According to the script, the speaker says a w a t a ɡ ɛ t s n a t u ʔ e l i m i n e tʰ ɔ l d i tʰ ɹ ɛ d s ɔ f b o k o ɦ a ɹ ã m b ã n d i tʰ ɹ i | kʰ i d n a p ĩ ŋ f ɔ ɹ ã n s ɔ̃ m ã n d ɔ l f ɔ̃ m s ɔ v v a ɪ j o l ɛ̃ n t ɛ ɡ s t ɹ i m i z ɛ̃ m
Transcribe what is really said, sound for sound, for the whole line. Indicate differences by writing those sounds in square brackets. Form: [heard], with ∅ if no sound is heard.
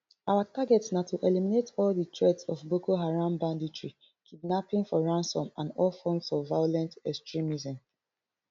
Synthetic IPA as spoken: a w a t a ɡ ɛ t s n a t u ʔ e l i m i n e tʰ ɔ l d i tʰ ɹ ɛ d s ɔ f b o k o ɦ a ɹ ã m b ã n d i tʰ ɹ i | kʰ i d n a p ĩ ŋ f ɔ ɹ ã n s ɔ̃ m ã n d ɔ l f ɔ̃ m s ɔ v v a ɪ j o l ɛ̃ n t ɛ [k] s t ɹ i m i z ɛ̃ m